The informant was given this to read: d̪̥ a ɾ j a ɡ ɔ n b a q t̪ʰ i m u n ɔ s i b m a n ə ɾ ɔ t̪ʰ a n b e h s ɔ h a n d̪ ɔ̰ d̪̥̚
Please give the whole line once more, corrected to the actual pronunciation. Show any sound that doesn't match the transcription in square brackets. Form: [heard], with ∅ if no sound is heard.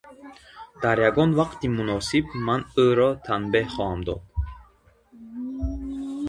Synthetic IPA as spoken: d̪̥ a ɾ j a ɡ ɔ n [v] a q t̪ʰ i m u n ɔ s i b m a n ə ɾ ɔ t̪ʰ a n b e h [χ] ɔ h a [m] d̪ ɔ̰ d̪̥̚